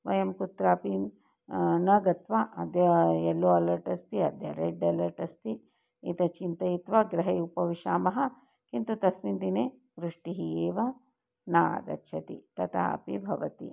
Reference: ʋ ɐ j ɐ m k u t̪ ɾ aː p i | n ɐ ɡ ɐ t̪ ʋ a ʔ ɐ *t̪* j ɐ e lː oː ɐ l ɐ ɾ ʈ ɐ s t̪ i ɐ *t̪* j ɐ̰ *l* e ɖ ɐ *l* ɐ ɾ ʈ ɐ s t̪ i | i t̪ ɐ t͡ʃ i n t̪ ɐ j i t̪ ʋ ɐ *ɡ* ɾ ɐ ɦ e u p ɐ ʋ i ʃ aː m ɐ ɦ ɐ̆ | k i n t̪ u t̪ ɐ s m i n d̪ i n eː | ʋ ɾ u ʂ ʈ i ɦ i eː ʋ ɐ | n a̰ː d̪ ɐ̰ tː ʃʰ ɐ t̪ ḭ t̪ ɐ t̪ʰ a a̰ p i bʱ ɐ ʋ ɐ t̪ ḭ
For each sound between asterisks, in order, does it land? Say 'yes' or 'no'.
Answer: no, no, no, yes, yes

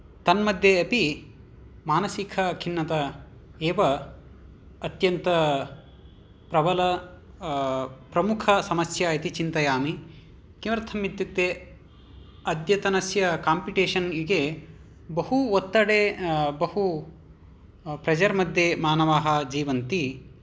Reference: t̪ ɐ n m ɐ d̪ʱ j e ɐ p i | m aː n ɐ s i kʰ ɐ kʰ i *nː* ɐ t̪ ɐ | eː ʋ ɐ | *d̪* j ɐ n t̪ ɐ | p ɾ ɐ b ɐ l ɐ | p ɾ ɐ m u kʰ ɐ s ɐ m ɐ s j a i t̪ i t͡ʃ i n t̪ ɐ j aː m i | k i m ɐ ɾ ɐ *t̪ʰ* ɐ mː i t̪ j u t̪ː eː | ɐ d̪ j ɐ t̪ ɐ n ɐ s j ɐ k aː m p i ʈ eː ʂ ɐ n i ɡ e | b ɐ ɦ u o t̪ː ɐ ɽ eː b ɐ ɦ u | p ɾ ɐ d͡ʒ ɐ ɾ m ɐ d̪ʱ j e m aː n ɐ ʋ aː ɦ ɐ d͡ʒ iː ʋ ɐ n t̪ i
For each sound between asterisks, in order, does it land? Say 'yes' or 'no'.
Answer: yes, no, yes

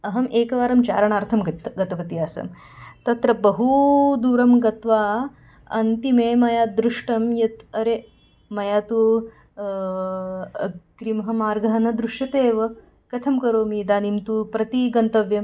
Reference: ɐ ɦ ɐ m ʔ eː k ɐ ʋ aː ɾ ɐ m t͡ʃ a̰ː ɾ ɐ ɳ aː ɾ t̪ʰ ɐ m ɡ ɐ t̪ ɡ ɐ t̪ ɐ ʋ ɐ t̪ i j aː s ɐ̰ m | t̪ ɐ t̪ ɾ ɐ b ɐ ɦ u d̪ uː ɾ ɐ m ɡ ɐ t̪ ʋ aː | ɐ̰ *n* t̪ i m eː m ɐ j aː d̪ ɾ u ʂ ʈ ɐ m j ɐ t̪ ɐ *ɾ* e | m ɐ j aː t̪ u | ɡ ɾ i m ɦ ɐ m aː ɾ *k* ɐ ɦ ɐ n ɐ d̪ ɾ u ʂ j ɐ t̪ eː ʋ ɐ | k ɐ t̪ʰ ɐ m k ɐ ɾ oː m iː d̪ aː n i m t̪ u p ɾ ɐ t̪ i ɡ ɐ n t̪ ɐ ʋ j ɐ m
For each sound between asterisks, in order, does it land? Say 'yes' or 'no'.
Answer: yes, yes, no

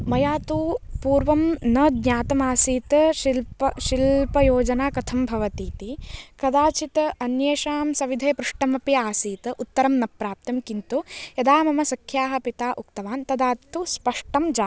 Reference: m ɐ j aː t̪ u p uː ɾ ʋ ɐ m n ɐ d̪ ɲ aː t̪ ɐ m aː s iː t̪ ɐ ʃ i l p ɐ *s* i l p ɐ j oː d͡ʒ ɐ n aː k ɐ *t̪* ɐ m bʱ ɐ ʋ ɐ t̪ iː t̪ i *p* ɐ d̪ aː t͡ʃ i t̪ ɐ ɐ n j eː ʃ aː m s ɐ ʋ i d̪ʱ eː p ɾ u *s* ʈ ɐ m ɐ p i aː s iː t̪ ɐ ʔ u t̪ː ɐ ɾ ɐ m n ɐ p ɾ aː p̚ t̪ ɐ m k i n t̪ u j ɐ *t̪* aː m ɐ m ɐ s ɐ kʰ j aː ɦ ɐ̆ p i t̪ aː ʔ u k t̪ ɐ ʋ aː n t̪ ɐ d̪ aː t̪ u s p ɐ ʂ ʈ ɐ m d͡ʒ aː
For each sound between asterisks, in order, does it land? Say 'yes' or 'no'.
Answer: no, no, no, no, no

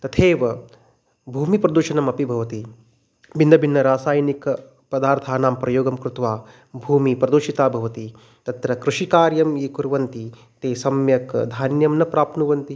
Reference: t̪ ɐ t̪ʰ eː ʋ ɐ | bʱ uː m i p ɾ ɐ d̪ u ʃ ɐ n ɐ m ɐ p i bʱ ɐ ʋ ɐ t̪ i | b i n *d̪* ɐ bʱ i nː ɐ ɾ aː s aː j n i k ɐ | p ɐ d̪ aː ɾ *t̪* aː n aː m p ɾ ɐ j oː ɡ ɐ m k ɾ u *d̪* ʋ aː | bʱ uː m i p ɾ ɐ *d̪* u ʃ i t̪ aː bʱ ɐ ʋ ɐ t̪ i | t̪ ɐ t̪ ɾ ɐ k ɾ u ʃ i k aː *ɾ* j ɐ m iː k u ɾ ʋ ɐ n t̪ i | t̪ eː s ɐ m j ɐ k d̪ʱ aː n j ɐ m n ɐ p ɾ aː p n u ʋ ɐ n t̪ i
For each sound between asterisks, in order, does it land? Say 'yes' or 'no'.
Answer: yes, no, no, yes, yes

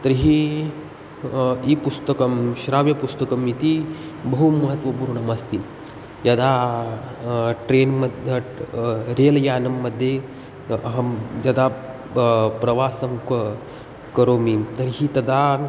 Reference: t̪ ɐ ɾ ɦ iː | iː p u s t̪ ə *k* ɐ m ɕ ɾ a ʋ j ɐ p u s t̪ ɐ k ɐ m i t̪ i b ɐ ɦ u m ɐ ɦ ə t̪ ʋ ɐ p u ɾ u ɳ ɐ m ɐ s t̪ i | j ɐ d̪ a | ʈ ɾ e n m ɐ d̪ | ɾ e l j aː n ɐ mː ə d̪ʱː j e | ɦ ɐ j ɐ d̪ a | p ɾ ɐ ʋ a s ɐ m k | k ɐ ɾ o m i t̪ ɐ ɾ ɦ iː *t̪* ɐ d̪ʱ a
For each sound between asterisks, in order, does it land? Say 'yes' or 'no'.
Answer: yes, yes

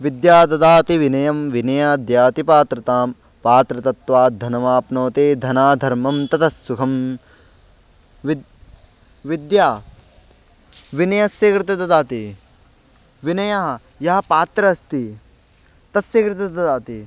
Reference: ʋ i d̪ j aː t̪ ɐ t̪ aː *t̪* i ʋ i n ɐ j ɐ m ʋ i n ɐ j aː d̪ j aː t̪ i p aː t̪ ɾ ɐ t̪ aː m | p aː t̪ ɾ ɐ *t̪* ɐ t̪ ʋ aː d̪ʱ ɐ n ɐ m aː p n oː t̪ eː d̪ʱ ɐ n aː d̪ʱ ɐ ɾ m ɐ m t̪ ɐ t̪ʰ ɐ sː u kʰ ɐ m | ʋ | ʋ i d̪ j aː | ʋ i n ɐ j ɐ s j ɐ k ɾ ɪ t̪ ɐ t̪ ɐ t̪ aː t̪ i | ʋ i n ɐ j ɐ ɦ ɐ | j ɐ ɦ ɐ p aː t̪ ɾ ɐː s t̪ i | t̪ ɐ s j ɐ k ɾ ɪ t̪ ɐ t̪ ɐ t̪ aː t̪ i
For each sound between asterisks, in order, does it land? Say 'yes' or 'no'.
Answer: yes, yes

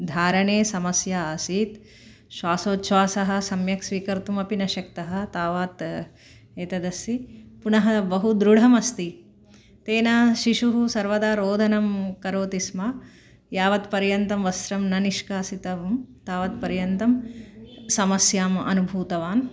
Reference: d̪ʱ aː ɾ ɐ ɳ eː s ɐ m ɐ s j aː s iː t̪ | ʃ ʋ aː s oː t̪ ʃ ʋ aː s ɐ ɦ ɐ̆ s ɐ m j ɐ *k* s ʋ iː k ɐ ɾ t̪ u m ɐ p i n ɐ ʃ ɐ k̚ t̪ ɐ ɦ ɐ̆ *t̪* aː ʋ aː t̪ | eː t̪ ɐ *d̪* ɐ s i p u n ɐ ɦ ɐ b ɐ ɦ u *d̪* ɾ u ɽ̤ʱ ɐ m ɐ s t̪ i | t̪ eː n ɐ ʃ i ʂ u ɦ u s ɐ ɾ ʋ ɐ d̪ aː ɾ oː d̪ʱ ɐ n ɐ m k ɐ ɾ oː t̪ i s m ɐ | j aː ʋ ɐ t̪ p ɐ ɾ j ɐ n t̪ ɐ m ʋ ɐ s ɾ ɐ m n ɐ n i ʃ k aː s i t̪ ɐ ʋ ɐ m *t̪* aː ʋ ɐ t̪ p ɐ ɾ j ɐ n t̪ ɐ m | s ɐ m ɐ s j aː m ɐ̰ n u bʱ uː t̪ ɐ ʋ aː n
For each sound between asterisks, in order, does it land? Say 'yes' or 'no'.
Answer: yes, yes, yes, yes, yes

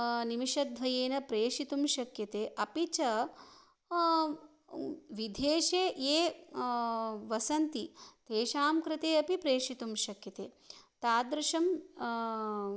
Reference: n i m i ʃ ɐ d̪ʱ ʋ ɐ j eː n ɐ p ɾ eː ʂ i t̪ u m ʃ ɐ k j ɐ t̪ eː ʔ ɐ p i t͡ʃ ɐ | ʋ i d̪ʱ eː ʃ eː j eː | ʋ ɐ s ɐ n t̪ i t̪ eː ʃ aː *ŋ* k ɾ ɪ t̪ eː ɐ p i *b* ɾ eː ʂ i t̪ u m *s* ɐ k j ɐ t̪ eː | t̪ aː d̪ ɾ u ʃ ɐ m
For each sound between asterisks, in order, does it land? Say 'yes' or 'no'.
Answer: no, no, no

